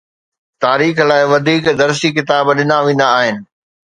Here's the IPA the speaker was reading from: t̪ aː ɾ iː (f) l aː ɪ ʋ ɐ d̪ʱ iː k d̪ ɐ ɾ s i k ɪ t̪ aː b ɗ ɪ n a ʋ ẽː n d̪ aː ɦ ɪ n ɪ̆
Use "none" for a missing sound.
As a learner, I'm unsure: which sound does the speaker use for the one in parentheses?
x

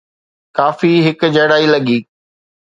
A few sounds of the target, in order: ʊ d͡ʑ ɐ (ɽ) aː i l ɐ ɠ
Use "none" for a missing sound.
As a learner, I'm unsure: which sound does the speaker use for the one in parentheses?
ɽ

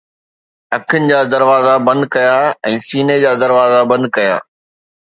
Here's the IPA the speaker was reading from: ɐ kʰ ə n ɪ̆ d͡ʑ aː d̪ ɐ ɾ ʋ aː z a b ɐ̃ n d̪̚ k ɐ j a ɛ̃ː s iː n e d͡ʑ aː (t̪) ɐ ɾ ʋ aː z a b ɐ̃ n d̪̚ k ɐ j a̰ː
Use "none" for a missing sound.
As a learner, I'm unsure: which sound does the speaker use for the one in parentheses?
d̪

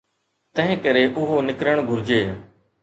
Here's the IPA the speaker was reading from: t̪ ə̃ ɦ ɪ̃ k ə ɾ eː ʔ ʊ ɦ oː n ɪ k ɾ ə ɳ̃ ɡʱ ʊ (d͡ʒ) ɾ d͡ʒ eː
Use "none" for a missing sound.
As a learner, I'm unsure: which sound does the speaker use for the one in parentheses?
none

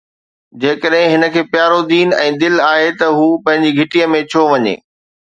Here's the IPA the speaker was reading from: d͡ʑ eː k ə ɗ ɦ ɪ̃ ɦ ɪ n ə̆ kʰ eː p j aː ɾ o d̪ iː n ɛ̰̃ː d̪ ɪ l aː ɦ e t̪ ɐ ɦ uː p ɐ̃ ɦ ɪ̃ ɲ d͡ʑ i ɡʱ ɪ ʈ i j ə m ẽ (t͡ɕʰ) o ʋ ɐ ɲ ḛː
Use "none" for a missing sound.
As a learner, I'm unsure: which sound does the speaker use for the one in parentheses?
t͡ɕʰ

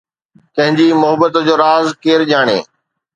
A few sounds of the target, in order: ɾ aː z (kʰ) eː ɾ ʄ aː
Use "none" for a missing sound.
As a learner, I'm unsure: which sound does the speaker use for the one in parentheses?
k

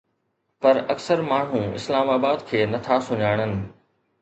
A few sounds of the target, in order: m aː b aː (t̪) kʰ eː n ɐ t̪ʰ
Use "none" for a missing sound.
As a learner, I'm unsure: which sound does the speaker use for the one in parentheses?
d̪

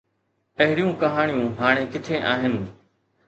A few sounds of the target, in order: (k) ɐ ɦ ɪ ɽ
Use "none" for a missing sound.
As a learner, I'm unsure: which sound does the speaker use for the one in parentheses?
p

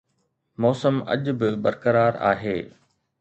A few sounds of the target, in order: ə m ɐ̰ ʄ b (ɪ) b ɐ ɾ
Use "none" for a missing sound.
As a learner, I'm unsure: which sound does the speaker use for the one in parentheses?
ɪ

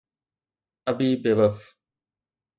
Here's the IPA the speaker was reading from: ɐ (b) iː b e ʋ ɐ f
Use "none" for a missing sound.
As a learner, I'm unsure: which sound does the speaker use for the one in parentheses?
b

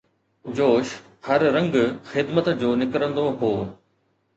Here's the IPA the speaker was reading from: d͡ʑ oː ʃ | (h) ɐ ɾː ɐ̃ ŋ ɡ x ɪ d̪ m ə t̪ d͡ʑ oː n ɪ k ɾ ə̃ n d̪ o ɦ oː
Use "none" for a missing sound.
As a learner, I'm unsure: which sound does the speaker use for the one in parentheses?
h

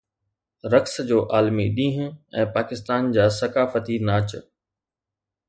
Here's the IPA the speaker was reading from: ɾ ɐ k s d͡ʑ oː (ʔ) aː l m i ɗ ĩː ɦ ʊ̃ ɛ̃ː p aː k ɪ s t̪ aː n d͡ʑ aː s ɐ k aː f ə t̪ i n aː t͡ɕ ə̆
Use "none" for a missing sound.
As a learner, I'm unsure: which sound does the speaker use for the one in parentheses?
ʔ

